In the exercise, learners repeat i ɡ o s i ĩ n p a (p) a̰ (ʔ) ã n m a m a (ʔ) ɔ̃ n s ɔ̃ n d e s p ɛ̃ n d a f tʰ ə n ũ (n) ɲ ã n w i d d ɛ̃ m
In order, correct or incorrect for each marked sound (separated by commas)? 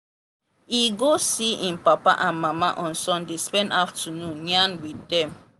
correct, correct, correct, correct